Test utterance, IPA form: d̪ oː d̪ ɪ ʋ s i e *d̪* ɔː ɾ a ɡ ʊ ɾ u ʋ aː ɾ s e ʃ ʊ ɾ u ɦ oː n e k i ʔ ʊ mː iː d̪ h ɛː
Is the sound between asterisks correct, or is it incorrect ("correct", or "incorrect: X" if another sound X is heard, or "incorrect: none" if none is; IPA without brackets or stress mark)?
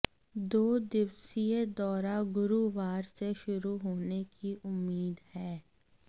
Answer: correct